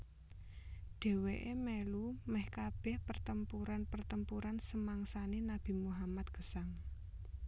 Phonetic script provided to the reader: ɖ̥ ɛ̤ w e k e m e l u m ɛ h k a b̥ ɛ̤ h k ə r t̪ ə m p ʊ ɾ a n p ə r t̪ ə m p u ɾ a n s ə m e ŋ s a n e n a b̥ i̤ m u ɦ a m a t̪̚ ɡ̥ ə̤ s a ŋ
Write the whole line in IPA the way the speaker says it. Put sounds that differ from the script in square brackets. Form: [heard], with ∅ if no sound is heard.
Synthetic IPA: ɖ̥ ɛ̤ w e [ʔ] e m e l u m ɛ h k a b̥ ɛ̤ h [p] ə r t̪ ə m p [u] ɾ a n p ə r t̪ ə m p u ɾ a n s ə m [a] ŋ s a n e n a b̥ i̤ m u ɦ a m a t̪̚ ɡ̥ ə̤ s a ŋ